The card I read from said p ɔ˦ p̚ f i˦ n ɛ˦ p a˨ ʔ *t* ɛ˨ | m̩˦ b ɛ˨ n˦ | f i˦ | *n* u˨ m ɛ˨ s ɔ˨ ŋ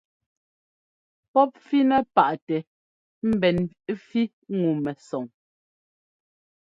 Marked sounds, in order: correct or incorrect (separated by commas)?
correct, incorrect